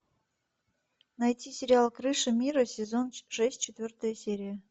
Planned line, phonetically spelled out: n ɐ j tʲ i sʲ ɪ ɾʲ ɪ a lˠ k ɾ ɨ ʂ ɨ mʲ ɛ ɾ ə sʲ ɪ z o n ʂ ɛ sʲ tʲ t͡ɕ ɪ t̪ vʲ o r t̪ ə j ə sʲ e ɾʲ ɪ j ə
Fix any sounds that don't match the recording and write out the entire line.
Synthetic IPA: n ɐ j tʲ i sʲ ɪ ɾʲ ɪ a lˠ k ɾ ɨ ʂ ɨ mʲ i ɾ ə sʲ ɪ z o n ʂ ɛ sʲ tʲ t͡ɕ ɪ t̪ vʲ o r t̪ ə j ə sʲ e ɾʲ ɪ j ə